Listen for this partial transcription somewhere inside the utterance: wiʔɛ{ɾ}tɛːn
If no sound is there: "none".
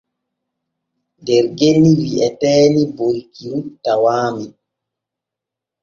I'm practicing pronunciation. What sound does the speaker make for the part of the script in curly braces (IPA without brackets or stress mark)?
none